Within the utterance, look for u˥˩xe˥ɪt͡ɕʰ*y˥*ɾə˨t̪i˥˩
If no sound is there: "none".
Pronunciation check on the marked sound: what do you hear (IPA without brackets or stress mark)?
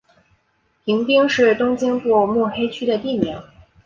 y˥